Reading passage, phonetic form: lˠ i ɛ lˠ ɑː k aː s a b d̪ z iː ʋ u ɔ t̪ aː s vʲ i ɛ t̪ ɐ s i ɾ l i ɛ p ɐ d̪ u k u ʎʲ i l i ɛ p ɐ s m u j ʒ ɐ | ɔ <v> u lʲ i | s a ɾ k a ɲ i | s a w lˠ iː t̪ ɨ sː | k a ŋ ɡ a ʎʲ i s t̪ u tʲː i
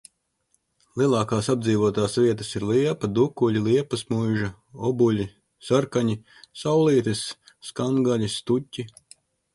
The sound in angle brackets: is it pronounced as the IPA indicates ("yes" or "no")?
no